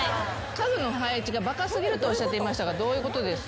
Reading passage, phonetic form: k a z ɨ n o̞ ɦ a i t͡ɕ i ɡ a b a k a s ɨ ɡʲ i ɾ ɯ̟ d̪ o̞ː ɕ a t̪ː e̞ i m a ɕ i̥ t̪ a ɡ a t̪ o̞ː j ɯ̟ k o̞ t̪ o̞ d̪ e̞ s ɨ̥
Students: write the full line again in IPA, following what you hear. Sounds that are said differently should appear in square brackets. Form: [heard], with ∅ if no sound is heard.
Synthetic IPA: k a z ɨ n o̞ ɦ a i t͡ɕ i ɡ a b a k a s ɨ ɡʲ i ɾ ɯ̟ [t̪] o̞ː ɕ a t̪ː e̞ i m a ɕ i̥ t̪ a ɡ a [d̪] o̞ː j ɯ̟ k o̞ t̪ o̞ d̪ e̞ s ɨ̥